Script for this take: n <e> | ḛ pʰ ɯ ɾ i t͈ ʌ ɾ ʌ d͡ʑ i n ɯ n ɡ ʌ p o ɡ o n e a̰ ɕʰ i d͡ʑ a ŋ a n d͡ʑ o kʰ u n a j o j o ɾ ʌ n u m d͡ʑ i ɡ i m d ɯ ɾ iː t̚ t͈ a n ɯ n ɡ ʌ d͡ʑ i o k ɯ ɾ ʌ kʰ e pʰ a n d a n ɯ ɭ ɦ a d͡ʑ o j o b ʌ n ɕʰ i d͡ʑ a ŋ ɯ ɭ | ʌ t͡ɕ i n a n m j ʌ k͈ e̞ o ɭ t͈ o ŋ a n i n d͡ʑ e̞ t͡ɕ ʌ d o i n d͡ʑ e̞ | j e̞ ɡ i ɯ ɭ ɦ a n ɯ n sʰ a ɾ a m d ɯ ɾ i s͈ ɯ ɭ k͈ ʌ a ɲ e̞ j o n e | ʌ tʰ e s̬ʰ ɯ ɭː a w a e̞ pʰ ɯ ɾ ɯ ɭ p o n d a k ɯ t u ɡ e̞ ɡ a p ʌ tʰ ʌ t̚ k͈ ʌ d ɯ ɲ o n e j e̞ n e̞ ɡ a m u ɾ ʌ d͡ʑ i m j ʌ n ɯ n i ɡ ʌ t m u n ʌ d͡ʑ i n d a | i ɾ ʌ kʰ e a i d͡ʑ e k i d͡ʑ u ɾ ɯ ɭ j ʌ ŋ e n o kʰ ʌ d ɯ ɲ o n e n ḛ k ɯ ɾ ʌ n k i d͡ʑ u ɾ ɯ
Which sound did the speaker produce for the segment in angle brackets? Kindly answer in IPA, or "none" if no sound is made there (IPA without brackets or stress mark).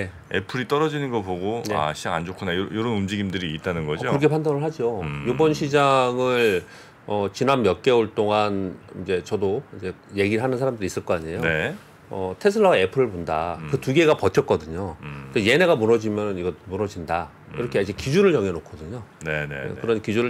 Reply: e